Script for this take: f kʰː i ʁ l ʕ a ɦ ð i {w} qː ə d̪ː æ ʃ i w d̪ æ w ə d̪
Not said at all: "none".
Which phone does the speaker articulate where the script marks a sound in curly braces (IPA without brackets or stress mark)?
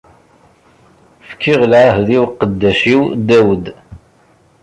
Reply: w